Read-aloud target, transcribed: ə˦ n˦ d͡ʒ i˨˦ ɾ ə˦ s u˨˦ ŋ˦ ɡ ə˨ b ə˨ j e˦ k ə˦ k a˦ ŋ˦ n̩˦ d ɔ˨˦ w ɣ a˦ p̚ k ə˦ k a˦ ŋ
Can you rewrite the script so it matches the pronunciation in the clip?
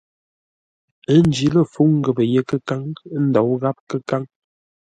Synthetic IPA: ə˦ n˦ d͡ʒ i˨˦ l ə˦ f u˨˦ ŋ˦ ɡ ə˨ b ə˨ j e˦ k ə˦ k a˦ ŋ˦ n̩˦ d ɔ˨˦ w ɣ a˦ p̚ k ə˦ k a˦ ŋ